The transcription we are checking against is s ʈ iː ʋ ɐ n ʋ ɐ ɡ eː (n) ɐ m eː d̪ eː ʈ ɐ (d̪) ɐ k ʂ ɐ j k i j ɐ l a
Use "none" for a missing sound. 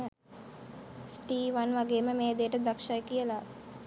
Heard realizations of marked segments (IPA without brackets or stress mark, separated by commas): m, d̪